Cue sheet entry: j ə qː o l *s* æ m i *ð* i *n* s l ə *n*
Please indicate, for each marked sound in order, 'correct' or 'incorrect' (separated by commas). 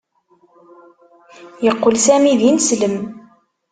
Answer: correct, correct, correct, incorrect